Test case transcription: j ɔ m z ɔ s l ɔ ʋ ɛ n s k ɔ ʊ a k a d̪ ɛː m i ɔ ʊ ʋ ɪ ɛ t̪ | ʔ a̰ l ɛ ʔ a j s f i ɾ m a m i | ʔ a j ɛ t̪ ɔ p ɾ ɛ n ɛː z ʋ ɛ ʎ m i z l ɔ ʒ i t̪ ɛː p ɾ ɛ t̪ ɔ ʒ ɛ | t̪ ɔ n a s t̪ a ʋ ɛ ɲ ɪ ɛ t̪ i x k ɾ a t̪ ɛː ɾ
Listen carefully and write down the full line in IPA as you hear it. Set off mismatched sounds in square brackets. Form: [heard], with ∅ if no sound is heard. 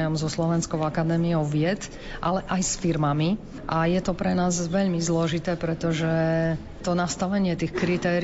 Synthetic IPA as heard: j ɔ m z ɔ s l ɔ ʋ ɛ n s k ɔ ʊ a k a d̪ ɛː m i ɔ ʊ ʋ ɪ ɛ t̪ | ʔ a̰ l ɛ ʔ a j s f i ɾ m a m i | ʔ a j ɛ t̪ ɔ p ɾ ɛ n [aː] z ʋ ɛ ʎ m i z l ɔ ʒ i t̪ ɛː p ɾ ɛ t̪ ɔ ʒ ɛ | t̪ ɔ n a s t̪ a ʋ ɛ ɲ ɪ ɛ t̪ i x k ɾ [i] t̪ ɛː ɾ